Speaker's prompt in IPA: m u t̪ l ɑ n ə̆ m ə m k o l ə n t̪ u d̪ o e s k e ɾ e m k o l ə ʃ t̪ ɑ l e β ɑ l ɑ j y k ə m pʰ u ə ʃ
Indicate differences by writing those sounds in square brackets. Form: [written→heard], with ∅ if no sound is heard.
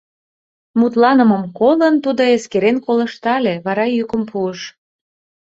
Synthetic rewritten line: m u t̪ l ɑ n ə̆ m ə m k o l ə n t̪ u d̪ o e s k e ɾ e [m→n] k o l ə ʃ t̪ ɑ l e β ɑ [l→ɾ] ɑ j y k ə m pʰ u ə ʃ

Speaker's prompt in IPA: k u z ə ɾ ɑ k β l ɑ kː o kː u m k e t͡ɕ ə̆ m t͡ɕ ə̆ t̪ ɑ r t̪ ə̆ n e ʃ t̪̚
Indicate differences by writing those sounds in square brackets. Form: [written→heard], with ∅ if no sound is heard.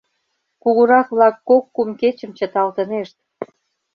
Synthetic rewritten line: k u [z→ɣ] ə ɾ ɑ k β l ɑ kː o kː u m k e t͡ɕ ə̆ m t͡ɕ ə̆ t̪ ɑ [r→l] t̪ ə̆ n e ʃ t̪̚

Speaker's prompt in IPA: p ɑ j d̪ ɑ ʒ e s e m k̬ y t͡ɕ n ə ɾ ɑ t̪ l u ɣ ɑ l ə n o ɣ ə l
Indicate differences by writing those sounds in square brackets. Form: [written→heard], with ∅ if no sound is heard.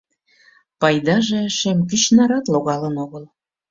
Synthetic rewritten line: p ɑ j d̪ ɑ ʒ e [s→ʃ] e m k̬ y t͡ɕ n [ə→ɑ] ɾ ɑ t̪ l [u→o] ɣ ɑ l ə n o ɣ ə l

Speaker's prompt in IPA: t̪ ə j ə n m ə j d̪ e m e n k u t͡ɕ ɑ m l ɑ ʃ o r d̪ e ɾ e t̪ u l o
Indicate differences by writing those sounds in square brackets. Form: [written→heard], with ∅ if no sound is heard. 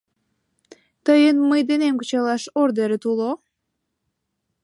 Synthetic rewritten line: t̪ ə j ə n m ə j d̪ e [m→n] e [n→m] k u t͡ɕ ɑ [m→∅] l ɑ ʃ o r d̪ e ɾ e t̪ u l o

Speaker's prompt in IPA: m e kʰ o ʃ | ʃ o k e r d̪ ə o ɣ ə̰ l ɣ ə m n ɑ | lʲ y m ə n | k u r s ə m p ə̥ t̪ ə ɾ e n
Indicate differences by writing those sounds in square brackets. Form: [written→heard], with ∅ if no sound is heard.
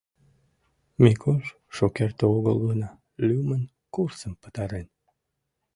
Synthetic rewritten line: m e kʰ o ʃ | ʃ o k e r [d̪→t̪] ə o ɣ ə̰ l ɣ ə [m→∅] n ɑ | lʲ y m ə n | k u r s ə m p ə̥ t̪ [ə→ɑ] ɾ e n

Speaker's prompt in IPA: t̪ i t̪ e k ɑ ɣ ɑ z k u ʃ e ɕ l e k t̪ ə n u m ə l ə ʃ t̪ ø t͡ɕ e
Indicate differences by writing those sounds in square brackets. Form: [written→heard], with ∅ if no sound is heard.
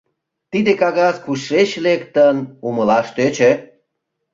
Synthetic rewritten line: t̪ i [t̪→d̪] e k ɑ ɣ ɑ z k u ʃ e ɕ l e k t̪ ə n u m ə l [ə→ɑ] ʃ t̪ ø t͡ɕ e

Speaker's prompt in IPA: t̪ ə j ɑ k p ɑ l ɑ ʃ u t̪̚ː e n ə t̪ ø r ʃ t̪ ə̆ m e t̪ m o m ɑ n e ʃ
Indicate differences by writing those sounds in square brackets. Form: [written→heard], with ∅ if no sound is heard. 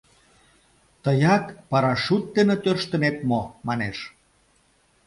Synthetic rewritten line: t̪ ə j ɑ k p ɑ [l→ɾ] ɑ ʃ u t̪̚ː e n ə t̪ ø r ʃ t̪ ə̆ [m→n] e t̪ m o m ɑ n e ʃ

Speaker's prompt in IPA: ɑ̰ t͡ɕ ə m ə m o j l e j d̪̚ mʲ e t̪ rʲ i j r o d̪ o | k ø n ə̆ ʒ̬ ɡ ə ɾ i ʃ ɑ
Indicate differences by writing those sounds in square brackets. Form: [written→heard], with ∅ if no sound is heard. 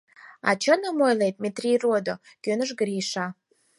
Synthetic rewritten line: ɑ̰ t͡ɕ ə [m→n] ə m o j l e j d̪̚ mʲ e t̪ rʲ i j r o d̪ o | k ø n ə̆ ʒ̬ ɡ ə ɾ i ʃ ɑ

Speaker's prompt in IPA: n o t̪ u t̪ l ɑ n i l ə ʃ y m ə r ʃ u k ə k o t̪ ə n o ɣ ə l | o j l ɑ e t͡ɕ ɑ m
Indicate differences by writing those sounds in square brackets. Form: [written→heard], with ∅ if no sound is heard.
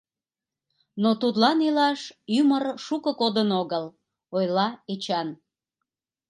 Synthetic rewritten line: n o t̪ u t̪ l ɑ n i l [ə→ɑ] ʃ y m ə r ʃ u k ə k o [t̪→d̪] ə n o ɣ ə l | o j l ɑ e t͡ɕ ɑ [m→n]

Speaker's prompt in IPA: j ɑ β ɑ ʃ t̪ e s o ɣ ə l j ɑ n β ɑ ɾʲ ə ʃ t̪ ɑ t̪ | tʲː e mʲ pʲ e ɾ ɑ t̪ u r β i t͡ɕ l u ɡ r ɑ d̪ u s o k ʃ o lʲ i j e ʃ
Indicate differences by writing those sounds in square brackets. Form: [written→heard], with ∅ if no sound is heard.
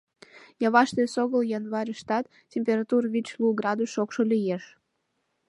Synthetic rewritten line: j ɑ β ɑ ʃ t̪ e s o ɣ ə l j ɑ n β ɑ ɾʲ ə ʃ t̪ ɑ t̪ | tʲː e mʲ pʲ e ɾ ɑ t̪ u r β i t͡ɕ l u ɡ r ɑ d̪ u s o k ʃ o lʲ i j e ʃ

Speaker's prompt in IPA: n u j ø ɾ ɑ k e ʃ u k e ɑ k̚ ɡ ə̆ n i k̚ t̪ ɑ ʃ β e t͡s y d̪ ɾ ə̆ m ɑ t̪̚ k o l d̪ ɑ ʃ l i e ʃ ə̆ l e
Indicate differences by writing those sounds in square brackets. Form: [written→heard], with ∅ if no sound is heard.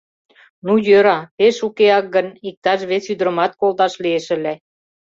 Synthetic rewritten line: n u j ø ɾ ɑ [k→p] e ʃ u k e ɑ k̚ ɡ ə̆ n i k̚ t̪ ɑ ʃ β e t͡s y d̪ ɾ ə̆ m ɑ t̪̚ k o l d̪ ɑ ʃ l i e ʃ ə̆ l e

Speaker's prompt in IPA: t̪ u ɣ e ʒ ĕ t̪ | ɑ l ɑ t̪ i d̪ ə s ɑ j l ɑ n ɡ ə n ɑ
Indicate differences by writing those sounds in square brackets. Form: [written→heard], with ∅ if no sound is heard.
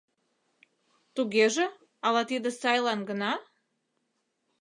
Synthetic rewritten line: t̪ u ɣ e ʒ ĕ [t̪→∅] | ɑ l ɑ t̪ i d̪ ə s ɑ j l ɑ n ɡ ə n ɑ

